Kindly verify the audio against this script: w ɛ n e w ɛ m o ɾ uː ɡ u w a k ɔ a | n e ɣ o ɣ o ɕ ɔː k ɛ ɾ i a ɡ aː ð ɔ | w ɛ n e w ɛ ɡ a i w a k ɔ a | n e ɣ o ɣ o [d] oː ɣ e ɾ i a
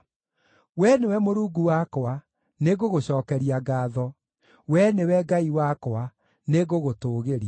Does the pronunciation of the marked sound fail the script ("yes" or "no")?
yes